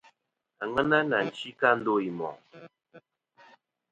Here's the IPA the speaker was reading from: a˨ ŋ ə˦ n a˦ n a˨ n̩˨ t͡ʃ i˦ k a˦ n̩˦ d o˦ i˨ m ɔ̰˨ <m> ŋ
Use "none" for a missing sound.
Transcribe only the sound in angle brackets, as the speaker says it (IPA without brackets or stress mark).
none